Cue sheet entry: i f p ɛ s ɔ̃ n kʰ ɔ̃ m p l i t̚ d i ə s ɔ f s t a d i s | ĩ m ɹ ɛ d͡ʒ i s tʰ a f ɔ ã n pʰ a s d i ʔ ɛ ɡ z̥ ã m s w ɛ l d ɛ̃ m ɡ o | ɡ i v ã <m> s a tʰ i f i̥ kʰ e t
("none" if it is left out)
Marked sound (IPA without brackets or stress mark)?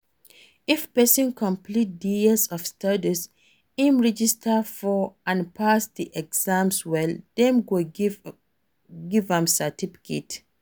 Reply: m